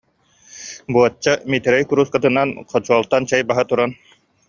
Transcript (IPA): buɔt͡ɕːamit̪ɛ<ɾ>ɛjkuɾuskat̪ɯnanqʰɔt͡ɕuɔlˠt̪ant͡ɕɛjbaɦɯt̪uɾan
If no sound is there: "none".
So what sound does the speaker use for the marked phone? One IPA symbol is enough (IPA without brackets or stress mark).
ɾ